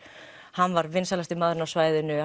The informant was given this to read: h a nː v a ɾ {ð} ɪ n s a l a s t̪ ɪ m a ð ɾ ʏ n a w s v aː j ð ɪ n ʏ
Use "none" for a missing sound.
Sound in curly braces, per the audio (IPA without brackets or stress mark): v